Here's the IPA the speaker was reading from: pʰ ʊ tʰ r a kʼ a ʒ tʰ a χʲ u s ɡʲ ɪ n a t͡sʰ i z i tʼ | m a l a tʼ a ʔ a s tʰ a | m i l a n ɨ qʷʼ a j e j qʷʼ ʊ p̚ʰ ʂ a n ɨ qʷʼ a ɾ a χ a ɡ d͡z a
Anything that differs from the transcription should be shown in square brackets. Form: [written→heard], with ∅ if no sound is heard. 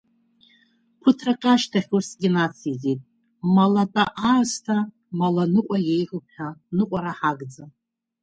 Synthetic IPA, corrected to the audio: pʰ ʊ tʰ r a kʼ a [ʒ→ʃ] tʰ a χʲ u s ɡʲ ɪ n a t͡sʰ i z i tʼ | m a l a tʼ a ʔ a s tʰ a | m [i→a] l a n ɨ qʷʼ a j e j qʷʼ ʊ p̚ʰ [ʂ→ħ] a n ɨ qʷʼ a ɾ a [χ→ħ] a ɡ d͡z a